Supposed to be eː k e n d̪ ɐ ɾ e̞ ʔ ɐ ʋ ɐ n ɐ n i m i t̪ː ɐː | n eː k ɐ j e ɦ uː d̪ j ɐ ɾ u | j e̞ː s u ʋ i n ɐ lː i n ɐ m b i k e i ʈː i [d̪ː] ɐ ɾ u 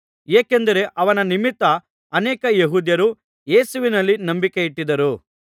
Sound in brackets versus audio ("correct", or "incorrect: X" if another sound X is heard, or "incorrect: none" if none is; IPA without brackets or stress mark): incorrect: d̪